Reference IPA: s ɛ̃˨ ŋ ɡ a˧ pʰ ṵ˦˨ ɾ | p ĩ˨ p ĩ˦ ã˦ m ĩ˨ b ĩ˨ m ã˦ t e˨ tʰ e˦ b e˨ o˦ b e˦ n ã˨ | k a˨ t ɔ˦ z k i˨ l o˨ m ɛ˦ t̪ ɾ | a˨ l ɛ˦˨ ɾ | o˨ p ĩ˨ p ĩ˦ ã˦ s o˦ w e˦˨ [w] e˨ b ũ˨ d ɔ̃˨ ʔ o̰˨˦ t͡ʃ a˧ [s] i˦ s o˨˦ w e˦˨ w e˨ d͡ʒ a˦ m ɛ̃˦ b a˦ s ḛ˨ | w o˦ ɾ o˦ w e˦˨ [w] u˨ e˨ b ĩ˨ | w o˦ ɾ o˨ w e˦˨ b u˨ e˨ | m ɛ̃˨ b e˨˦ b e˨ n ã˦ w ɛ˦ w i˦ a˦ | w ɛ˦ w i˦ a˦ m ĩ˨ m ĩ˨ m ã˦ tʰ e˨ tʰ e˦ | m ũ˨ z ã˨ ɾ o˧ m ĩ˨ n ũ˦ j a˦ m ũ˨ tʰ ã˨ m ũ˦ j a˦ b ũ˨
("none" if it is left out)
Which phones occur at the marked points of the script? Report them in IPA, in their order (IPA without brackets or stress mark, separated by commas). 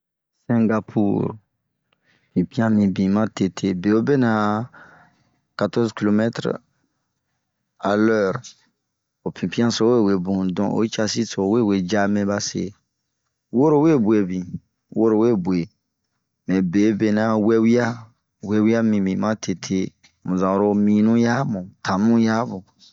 w, s, b